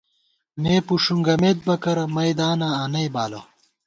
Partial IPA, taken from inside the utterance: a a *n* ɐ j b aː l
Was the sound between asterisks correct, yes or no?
yes